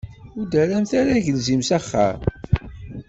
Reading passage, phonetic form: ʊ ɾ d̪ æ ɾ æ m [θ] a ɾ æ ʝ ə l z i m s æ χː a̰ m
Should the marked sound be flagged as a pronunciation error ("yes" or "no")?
no